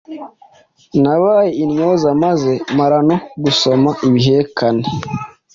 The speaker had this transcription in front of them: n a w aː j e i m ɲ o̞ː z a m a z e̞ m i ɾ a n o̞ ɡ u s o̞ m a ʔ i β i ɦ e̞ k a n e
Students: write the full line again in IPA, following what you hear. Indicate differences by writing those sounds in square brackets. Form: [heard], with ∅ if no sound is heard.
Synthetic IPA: n a [β] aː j e i [n] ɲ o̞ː z a m a z e̞ m [a] ɾ a n o̞ ɡ u s o̞ m a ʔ i β i ɦ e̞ k a n e